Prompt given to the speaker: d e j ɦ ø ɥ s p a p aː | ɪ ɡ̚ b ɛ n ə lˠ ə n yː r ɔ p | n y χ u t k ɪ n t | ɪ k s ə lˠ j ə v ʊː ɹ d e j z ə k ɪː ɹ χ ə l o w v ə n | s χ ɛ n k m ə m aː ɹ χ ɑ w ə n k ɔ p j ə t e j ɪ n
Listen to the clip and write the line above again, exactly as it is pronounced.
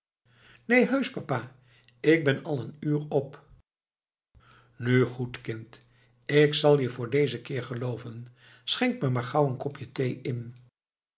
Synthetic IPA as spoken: n e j ɦ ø ɥ s p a p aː | ɪ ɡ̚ b ɛ n ɑ lˠ ə n yː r ɔ p | n y χ u t k ɪ n t | ɪ k s ɑ lˠ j ə v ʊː ɹ d e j z ə k ɪː ɹ χ ə l o w v ə n | s χ ɛ ŋ k m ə m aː ɹ χ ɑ w ə n k ɔ p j ə t e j ɪ n

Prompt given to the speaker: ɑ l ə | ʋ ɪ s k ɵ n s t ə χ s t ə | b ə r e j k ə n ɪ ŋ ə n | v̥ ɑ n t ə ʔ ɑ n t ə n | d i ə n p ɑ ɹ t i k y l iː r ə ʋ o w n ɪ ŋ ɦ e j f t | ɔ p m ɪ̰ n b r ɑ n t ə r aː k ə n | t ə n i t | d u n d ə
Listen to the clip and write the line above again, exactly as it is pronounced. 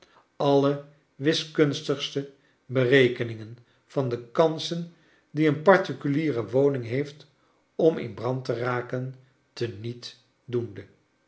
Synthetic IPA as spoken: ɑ l ə | ʋ ɪ s k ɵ n s t ə χ s t ə | b ə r e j k ə n ɪ ŋ ə n | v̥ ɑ n d ə k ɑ n s ə n | d i ə n p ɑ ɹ t i k y l iː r ə ʋ o w n ɪ ŋ ɦ e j f t | ɔ m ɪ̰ n b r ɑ n t ə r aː k ə n | t ə n i t | d u n d ə

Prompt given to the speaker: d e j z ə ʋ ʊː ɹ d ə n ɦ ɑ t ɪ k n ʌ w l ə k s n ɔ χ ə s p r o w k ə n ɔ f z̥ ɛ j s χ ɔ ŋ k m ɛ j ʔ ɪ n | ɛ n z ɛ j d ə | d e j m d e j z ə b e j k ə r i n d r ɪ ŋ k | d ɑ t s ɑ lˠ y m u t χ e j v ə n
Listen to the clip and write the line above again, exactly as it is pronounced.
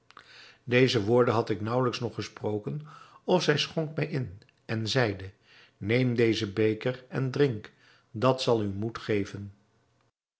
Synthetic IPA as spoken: d e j z ə ʋ ʊː ɹ d ə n ɦ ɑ t ɪ k n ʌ w l ə k s n ɔ χ ə s p r o w k ə n ɔ f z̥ ɛ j s χ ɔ ŋ k m ɛ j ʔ ɪ n | ɛ n z ɛ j d ə | n e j m d e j z ə b e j k ə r ɛ n d r ɪ ŋ k | d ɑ t s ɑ lˠ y m u t χ e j v ə n

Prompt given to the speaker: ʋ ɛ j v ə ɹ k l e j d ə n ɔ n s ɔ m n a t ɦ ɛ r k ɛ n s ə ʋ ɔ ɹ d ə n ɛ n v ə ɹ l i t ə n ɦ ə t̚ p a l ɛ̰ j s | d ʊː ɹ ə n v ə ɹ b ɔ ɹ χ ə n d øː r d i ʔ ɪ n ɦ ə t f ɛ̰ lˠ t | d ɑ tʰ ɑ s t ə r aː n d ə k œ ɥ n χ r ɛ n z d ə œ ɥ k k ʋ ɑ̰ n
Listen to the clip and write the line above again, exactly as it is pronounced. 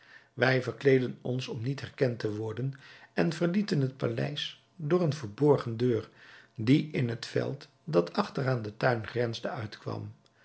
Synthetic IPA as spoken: ʋ ɛ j v ə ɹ k l e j d ə n ɔ n s ɔ m n i t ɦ ɛ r k ɛ n t ə ʋ ɔ ɹ d ə n ɛ n v ə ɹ l i t ə n ɦ ə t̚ p a l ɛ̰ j s | d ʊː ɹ ə n v ə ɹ b ɔ ɹ χ ə n d øː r d i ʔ ɪ n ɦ ə t f ɛ̰ lˠ t | d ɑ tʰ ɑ χ t ə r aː n d ə t œ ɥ n χ r ɛ n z d ə œ ɥ t k ʋ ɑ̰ m

